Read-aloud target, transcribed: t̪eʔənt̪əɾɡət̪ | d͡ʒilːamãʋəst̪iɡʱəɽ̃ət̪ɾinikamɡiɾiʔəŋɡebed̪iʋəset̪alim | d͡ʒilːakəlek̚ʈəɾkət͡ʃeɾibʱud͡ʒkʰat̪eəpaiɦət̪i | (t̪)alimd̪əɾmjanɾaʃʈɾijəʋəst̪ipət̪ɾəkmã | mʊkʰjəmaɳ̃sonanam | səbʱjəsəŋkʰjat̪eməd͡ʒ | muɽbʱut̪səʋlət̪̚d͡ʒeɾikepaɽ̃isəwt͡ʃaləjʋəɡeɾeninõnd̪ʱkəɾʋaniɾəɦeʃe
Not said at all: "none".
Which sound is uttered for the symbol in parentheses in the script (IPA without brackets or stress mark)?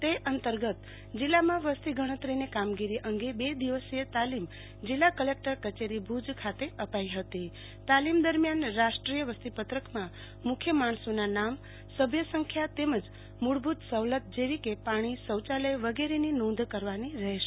t̪